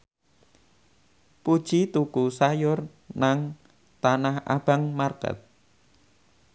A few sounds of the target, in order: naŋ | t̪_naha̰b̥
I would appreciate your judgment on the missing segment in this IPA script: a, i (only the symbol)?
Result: a